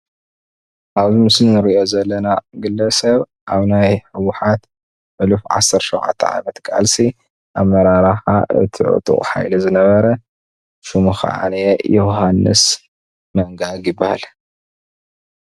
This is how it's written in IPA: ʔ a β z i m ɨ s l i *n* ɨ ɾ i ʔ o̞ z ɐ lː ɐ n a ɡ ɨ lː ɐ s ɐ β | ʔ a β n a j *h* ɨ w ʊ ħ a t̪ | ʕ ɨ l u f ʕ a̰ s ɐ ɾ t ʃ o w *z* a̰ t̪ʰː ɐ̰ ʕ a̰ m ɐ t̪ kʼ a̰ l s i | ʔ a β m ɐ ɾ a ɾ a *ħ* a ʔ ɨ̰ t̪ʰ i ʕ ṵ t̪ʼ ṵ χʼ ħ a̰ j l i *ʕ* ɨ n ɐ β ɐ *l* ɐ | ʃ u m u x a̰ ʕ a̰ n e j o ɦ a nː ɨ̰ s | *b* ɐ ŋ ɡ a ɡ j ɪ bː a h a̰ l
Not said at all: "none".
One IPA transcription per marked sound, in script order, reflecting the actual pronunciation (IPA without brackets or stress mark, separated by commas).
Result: n, ħ, ʕ, ħ, z, ɾ, m